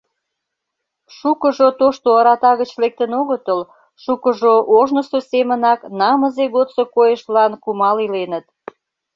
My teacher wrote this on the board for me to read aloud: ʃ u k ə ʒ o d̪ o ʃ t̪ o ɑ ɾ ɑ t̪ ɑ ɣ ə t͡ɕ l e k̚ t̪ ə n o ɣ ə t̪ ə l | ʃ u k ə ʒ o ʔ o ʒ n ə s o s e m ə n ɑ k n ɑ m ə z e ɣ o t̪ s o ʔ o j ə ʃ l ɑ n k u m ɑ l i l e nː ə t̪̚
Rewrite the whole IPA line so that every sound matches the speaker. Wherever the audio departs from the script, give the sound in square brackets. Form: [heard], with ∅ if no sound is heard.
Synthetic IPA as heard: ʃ u k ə ʒ o [t̪] o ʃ t̪ o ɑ ɾ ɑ t̪ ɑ ɣ ə t͡ɕ l e k̚ t̪ ə n o ɣ ə t̪ ə l | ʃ u k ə ʒ o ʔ o ʒ n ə s o s e m ə n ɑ k n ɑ m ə z e ɣ o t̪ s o [k] o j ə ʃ l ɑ n k u m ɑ l i l e [n] ə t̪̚